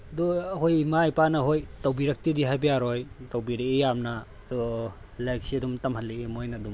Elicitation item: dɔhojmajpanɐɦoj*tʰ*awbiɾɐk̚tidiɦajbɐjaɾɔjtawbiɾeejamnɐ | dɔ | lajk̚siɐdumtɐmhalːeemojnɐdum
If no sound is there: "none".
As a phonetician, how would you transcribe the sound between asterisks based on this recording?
t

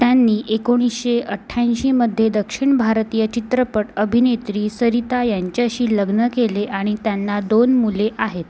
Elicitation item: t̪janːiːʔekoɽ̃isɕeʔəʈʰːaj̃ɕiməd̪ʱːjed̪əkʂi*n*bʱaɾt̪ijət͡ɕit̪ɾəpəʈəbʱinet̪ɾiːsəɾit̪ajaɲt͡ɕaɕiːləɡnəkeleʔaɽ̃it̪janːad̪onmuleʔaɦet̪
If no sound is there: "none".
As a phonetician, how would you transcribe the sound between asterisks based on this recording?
ɳ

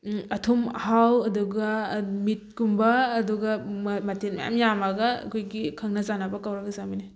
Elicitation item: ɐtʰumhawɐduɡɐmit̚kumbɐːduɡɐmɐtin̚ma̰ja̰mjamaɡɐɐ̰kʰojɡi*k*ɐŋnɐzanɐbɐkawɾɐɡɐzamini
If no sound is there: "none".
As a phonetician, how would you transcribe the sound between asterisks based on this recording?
kʰ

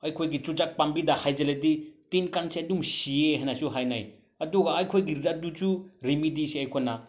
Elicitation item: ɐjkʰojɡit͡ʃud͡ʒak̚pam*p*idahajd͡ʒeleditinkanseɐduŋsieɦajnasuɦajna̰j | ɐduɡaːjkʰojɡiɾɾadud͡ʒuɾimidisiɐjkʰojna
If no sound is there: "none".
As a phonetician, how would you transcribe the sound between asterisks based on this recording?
b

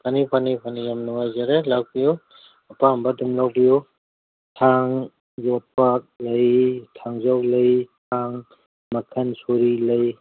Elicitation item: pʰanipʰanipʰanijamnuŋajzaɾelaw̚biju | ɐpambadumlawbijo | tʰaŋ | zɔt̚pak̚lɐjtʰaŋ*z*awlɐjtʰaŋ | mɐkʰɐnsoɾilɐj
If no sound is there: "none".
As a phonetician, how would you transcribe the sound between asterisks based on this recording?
z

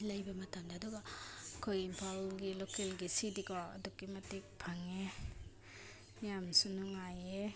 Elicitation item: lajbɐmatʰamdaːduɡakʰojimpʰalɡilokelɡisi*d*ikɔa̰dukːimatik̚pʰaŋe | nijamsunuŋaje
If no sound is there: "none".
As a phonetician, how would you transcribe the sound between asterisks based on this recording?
d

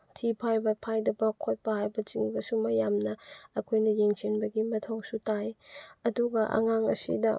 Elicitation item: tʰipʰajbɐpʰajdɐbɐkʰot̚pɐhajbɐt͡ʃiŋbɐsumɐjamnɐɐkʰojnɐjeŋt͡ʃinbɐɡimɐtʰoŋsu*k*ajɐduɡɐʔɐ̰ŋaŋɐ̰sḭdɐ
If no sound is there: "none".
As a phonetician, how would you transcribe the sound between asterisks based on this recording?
t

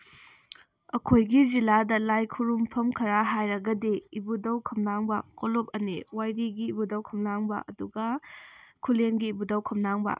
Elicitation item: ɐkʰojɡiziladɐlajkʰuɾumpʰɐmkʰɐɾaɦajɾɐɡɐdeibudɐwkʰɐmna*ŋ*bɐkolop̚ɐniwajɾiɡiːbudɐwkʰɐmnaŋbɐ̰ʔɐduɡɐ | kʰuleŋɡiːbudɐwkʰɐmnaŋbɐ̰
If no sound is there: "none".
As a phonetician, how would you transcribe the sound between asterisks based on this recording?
ŋ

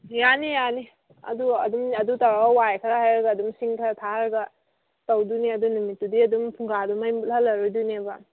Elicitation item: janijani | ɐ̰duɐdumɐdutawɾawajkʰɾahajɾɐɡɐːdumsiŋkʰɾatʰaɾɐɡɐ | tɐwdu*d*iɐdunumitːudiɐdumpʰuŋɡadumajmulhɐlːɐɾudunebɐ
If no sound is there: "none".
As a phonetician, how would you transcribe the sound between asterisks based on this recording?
n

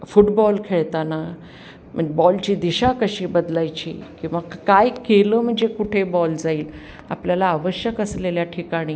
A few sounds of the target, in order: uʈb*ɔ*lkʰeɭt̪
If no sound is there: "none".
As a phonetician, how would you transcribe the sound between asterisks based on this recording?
ɔ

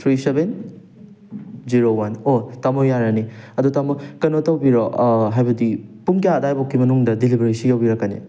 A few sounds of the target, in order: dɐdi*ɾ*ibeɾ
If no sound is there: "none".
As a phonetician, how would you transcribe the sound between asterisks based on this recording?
l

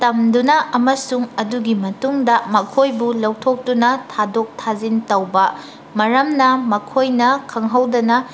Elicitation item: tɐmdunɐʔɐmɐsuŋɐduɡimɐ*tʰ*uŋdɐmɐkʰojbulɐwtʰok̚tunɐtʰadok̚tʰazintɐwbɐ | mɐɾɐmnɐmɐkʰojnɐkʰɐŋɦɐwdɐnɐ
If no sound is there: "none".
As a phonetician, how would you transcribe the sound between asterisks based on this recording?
t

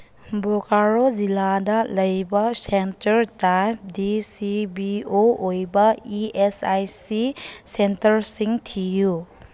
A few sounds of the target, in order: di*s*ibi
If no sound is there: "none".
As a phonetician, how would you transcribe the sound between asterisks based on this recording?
s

